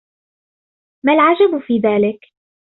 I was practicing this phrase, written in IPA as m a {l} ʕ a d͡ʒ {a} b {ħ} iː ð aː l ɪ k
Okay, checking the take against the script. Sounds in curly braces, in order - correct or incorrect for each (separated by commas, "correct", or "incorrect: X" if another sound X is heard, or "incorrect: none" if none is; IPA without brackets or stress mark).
correct, correct, incorrect: f